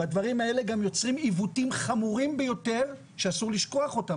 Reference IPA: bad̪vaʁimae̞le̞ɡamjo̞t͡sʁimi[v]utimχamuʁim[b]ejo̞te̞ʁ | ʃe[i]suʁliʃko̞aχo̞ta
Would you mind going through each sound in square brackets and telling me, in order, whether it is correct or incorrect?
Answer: correct, correct, incorrect

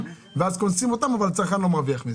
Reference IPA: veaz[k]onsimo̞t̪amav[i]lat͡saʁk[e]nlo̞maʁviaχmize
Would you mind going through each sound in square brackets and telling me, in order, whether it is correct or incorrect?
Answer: correct, incorrect, incorrect

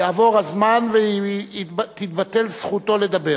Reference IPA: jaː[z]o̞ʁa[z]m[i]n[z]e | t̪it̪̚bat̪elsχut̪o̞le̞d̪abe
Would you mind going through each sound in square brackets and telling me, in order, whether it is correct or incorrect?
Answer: incorrect, correct, incorrect, incorrect

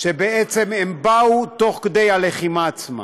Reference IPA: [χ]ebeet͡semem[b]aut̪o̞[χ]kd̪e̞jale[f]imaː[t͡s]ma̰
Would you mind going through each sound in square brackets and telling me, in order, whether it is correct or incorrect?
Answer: incorrect, correct, correct, incorrect, correct

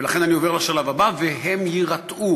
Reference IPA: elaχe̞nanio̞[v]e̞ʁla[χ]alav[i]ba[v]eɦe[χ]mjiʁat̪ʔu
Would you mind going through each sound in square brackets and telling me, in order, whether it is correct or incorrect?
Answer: correct, incorrect, incorrect, correct, incorrect

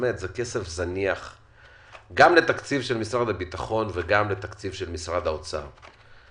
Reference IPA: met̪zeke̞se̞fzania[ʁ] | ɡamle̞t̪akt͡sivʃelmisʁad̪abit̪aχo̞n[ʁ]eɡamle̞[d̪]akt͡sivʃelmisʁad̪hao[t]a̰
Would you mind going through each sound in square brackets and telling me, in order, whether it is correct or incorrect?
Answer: incorrect, incorrect, incorrect, incorrect

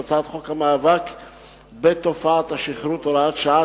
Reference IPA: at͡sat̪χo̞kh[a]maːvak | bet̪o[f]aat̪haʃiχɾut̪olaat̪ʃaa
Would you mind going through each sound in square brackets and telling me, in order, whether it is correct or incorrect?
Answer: correct, correct

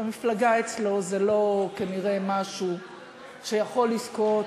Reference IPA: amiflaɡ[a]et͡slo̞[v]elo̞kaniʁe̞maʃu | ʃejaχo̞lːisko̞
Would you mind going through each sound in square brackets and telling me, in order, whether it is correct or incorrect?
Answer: correct, incorrect

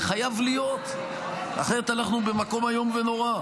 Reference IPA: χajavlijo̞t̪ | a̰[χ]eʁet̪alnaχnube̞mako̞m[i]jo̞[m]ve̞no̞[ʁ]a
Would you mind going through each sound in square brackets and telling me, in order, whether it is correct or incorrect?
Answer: correct, incorrect, correct, correct

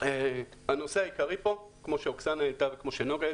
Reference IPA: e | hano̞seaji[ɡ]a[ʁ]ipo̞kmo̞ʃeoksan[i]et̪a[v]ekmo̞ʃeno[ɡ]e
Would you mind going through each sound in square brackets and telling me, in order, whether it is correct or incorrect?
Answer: incorrect, correct, incorrect, correct, correct

